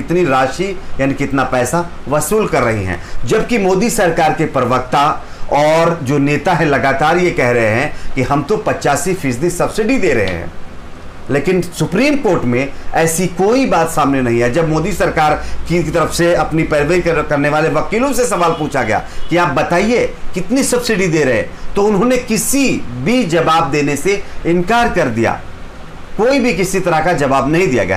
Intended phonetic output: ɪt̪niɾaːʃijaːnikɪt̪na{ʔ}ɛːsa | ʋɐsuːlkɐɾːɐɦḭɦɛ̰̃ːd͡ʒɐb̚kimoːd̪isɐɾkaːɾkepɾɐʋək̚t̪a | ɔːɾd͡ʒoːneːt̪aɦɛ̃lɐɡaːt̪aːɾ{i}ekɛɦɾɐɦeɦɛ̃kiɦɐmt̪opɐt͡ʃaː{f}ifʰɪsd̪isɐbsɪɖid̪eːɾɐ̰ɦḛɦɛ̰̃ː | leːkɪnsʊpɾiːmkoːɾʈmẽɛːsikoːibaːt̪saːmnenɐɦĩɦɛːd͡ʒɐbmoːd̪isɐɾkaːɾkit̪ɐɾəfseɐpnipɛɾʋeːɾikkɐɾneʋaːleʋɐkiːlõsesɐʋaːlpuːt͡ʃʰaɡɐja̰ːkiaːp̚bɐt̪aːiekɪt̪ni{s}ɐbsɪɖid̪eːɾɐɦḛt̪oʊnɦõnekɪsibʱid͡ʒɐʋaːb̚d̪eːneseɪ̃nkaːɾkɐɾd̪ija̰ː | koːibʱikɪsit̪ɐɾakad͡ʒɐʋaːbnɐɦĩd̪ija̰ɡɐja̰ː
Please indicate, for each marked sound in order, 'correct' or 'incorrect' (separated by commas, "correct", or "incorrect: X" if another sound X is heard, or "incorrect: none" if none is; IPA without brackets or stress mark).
incorrect: p, incorrect: j, incorrect: s, correct